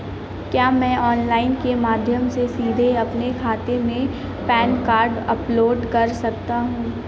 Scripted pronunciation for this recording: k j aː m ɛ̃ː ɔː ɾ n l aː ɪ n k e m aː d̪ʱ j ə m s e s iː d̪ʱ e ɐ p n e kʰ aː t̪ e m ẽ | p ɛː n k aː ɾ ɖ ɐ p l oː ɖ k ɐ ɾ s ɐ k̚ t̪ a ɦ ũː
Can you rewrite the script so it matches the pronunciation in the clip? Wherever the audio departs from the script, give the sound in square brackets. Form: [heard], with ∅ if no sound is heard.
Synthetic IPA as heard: k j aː m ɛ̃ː ɔː [∅] n l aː ɪ n k e m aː d̪ʱ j ə m s e s iː d̪ʱ e ɐ p n e kʰ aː t̪ e m ẽ | p ɛː n k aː ɾ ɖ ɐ p l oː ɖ k ɐ ɾ s ɐ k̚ t̪ a ɦ ũː

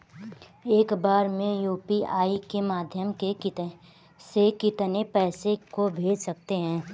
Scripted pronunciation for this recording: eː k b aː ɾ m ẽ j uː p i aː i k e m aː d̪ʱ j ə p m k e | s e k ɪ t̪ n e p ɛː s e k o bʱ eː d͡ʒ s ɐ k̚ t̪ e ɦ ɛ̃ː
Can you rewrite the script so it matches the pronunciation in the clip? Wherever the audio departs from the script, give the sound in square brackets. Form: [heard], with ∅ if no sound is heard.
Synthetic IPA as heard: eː k b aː ɾ m ẽ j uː p i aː i k e m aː d̪ʱ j ə [∅] m k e | s e k ɪ t̪ n e p ɛː s e k o bʱ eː d͡ʒ s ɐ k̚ t̪ e ɦ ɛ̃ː

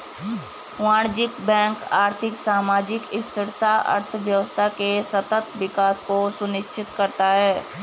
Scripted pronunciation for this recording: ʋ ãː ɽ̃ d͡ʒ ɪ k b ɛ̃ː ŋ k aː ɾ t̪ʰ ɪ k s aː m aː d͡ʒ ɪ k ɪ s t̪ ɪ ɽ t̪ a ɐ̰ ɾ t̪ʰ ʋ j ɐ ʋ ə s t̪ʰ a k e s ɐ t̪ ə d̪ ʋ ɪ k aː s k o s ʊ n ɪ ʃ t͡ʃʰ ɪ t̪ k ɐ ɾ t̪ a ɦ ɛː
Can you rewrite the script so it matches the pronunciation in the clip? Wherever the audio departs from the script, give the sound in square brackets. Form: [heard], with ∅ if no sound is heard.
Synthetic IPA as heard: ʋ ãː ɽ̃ d͡ʒ ɪ k b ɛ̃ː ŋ k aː ɾ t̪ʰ ɪ k s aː m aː d͡ʒ ɪ k ɪ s t̪ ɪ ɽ t̪ a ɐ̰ ɾ t̪ʰ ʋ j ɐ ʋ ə s t̪ʰ a k e s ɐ t̪ ə [t̪] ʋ ɪ k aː s k o s ʊ n ɪ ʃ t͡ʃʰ ɪ t̪ k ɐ ɾ t̪ a ɦ ɛː

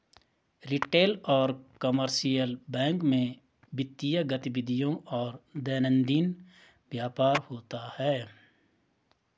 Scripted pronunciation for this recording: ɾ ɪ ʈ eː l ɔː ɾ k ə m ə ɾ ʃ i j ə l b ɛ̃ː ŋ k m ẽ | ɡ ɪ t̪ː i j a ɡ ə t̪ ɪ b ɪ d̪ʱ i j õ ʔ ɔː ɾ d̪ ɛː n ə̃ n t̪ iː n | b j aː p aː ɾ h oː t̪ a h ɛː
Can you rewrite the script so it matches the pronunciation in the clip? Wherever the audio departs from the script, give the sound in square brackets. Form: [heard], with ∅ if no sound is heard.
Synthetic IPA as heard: ɾ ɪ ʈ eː l ɔː ɾ k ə m ə ɾ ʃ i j ə l b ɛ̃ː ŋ k m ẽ | [b] ɪ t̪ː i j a ɡ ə t̪ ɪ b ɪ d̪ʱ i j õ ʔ ɔː ɾ d̪ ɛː n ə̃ n [d̪] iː n | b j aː p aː ɾ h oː t̪ a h ɛː

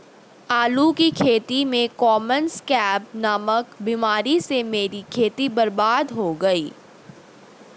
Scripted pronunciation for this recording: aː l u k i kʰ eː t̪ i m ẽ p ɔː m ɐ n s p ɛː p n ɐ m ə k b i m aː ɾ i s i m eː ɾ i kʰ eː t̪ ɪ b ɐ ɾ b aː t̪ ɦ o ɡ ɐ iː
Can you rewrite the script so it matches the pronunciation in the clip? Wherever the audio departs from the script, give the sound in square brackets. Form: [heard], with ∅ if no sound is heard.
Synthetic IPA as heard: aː l u k i kʰ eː t̪ i m ẽ [k] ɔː m [ə] n s [k] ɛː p n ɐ m ə k b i m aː ɾ i s [e] m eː ɾ i kʰ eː t̪ [i] b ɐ ɾ b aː [d̪] ɦ o ɡ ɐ iː

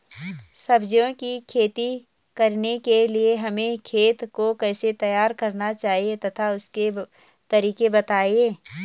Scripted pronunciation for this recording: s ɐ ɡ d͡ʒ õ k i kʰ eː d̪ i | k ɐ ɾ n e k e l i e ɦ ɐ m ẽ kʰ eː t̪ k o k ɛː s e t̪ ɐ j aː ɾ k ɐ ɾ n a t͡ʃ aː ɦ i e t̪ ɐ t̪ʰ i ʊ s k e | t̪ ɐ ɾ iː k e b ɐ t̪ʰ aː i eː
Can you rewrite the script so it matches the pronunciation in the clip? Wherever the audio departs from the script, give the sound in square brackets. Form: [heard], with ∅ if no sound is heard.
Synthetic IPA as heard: s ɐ [b] d͡ʒ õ k i kʰ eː [t̪] i | k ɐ ɾ n e k e l i e ɦ ɐ m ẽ kʰ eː t̪ k o k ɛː s e t̪ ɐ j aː ɾ k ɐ ɾ n a t͡ʃ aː ɦ i e t̪ ɐ t̪ʰ [a] ʊ s k e | t̪ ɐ ɾ iː k e b ɐ [t̪] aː i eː

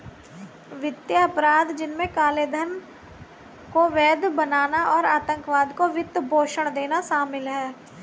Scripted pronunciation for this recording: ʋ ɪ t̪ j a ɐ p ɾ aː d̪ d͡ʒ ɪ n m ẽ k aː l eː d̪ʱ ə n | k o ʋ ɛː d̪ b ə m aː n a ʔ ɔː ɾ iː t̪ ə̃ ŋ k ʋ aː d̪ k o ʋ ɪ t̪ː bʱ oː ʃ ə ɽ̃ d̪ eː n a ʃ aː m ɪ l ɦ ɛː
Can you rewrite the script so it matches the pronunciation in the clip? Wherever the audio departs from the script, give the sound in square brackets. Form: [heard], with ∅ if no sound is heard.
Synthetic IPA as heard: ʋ ɪ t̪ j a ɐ p ɾ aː d̪ d͡ʒ ɪ n m ẽ k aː l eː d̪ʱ ə n | k o ʋ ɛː d̪ b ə [n] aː n a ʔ ɔː ɾ [aː] t̪ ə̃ ŋ k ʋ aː d̪ k o ʋ ɪ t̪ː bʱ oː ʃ ə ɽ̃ d̪ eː n a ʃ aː m ɪ l ɦ ɛː

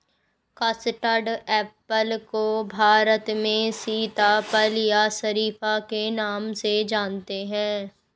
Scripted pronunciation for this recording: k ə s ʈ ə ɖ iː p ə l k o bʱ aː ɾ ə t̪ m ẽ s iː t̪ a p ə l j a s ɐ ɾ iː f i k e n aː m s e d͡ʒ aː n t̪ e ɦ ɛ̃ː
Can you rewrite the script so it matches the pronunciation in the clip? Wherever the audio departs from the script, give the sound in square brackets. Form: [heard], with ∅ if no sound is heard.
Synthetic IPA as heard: k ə s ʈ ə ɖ [ɛː] p ə l k o bʱ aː ɾ ə t̪ m ẽ s iː t̪ a p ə l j a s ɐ ɾ iː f [a] k e n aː m s e d͡ʒ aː n t̪ e ɦ ɛ̃ː

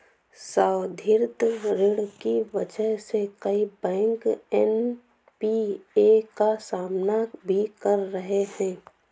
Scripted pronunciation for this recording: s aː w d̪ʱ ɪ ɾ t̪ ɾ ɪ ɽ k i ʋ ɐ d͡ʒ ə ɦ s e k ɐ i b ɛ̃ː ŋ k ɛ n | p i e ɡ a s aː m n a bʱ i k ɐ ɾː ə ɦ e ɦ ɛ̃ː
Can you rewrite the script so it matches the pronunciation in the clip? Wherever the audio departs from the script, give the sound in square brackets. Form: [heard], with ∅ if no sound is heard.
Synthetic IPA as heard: s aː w d̪ʱ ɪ ɾ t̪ ɾ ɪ ɽ k i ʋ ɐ d͡ʒ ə ɦ s e k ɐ i b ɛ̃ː ŋ k ɛ n | p i e [k] a s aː m n a bʱ i k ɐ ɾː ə ɦ e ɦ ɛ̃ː

